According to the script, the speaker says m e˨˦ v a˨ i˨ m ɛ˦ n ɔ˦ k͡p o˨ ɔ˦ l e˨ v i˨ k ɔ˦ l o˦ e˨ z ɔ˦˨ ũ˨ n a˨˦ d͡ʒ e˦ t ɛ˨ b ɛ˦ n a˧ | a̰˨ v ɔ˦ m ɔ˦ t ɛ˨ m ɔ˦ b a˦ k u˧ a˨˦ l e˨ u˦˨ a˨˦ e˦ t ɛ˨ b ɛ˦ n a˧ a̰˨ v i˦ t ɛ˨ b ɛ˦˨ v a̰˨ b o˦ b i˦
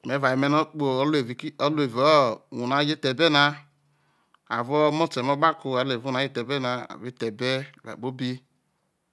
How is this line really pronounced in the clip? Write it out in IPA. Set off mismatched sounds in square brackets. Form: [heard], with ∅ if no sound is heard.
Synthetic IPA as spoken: m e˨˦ v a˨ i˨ m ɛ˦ n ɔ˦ k͡p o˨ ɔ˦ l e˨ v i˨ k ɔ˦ l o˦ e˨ [v] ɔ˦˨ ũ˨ n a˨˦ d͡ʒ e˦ t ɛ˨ b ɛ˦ n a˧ | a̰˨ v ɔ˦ m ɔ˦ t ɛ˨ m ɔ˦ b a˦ k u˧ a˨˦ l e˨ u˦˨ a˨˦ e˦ t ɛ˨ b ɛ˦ n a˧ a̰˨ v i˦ t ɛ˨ b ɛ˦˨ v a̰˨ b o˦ b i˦